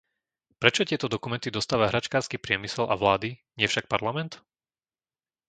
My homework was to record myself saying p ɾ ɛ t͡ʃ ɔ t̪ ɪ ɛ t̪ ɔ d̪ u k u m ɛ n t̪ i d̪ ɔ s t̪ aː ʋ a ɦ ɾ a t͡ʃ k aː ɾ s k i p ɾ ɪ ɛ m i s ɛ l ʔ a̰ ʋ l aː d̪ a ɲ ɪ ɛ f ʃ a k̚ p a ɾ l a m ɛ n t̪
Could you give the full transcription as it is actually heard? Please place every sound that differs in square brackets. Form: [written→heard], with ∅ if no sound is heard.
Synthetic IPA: p ɾ ɛ t͡ʃ ɔ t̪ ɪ ɛ t̪ ɔ d̪ [u→ɔ] k u m ɛ n t̪ i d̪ ɔ s t̪ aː ʋ a ɦ ɾ a t͡ʃ k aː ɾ s k i p ɾ ɪ ɛ m i s ɛ l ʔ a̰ ʋ l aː d̪ [a→i] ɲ ɪ ɛ f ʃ a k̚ p a ɾ l a m ɛ n t̪